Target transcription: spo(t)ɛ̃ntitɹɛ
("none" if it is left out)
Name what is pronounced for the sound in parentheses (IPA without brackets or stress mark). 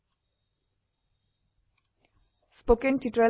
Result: k